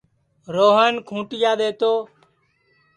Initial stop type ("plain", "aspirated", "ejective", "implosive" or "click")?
aspirated